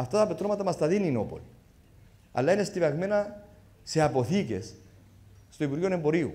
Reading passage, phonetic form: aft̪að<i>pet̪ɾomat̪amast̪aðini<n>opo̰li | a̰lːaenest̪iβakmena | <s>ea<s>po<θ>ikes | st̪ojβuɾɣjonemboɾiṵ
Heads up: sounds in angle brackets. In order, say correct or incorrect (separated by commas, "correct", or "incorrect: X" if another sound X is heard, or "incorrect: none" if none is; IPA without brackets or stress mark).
incorrect: a, correct, correct, incorrect: none, correct